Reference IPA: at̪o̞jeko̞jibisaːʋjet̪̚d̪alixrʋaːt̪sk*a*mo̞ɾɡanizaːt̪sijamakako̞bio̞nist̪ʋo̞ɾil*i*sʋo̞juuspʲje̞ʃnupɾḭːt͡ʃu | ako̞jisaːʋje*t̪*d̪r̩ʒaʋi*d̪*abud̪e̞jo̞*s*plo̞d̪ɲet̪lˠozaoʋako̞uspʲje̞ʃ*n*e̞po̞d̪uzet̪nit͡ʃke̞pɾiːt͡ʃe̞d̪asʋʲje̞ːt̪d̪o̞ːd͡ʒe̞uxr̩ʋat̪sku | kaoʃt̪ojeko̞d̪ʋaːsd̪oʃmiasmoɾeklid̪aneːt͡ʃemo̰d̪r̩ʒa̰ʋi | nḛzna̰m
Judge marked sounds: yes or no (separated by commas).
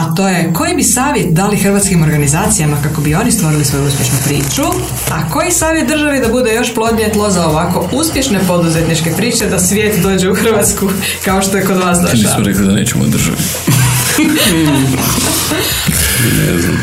no, yes, yes, yes, no, yes